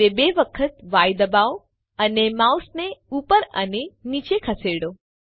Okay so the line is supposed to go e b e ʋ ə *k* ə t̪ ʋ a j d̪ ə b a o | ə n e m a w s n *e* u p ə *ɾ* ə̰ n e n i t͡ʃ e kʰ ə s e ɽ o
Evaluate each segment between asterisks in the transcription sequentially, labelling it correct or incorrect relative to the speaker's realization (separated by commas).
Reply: incorrect, correct, correct